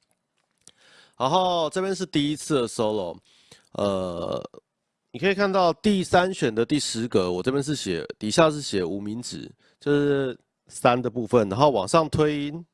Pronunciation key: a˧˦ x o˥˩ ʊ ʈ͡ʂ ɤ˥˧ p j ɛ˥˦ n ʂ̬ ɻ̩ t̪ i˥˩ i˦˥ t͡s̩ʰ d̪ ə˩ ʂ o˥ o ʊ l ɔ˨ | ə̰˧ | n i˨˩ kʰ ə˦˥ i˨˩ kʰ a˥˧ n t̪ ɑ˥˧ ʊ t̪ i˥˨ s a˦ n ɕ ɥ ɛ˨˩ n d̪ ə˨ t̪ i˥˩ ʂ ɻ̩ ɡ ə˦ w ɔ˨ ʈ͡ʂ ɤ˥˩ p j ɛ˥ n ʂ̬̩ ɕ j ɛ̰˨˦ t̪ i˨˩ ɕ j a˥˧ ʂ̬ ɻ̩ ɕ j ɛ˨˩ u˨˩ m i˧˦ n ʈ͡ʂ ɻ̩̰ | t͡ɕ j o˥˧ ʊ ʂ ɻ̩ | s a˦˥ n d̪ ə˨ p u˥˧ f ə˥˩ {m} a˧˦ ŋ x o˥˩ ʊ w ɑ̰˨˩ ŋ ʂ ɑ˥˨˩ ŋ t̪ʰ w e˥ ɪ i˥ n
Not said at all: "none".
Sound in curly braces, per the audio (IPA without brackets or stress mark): n